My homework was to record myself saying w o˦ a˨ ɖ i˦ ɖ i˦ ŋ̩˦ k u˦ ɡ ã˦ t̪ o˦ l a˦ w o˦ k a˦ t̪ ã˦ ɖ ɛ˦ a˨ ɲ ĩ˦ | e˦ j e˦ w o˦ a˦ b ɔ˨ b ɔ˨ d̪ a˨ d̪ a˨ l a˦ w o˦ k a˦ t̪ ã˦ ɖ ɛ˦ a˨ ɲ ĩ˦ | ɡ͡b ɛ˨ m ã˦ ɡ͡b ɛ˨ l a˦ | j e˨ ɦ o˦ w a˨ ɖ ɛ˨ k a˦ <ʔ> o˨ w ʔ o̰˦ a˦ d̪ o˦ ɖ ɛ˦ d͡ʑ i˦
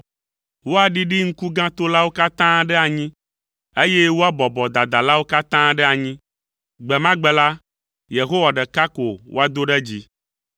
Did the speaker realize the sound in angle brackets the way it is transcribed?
no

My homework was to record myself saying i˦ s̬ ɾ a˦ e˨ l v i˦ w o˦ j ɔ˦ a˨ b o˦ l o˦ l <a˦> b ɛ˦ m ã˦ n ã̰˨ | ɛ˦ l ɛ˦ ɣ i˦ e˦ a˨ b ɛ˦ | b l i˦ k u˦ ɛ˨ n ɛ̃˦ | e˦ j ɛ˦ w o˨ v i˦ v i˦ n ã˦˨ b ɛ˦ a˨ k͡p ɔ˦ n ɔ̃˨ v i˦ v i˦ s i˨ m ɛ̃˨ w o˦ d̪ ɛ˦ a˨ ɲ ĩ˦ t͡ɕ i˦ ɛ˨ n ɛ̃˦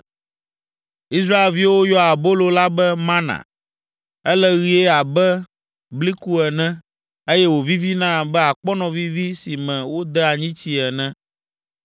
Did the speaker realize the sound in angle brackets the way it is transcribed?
yes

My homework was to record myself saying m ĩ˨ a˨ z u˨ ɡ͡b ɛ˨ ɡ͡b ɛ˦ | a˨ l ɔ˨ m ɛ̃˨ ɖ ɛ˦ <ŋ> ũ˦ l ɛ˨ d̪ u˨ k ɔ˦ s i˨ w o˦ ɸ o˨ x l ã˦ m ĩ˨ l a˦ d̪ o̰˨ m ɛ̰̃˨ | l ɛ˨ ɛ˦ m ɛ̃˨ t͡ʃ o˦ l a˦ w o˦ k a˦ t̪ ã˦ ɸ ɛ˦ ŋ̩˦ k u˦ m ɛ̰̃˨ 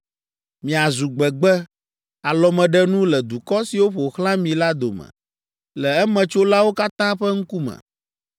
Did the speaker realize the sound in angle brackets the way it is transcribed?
no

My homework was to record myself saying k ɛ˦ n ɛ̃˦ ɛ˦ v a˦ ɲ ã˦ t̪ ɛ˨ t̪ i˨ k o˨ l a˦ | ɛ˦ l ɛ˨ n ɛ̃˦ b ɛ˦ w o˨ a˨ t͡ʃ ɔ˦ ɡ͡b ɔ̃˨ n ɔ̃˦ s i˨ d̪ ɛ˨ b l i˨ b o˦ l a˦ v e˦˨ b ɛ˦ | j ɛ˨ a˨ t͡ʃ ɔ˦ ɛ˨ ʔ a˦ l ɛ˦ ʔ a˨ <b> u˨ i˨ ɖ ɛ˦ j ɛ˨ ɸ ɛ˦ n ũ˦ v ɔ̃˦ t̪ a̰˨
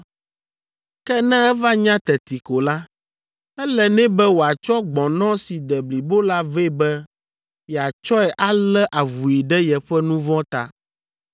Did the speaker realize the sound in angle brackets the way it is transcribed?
no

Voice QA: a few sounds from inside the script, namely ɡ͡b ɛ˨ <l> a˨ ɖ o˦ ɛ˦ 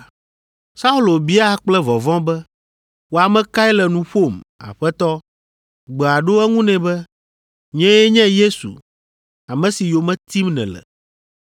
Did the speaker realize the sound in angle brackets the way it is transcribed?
no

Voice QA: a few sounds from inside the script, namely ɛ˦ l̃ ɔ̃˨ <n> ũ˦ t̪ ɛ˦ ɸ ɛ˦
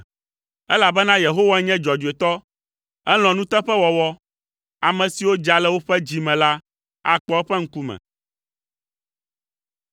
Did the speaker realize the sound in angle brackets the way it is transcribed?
yes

